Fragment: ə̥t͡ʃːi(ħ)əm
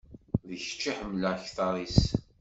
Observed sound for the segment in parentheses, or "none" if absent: ħ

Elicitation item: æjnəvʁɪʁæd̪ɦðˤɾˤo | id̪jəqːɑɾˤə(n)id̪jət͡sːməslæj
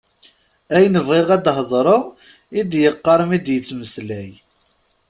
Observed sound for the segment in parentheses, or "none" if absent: m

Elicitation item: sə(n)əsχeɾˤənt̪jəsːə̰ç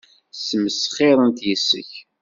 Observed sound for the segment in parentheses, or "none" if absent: m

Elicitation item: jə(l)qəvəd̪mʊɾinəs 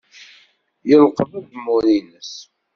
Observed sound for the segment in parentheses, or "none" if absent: l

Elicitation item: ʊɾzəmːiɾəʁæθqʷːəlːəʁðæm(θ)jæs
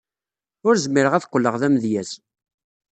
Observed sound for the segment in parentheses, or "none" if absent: ð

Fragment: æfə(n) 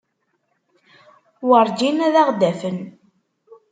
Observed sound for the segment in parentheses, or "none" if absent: n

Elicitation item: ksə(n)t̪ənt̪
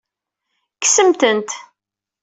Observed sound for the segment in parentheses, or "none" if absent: m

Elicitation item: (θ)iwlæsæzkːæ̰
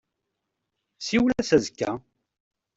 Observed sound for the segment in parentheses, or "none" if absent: s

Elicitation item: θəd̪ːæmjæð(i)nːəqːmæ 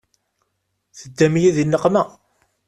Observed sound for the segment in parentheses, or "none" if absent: i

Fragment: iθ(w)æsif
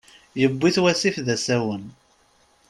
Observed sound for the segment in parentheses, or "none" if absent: w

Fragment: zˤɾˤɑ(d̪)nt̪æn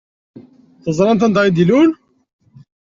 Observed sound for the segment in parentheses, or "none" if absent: none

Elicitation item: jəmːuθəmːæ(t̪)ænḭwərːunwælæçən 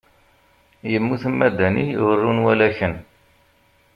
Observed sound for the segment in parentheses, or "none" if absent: d̪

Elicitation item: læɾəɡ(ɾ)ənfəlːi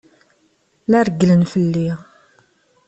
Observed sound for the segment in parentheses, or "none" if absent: l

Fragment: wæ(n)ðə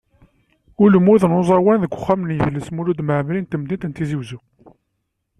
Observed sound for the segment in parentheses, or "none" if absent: n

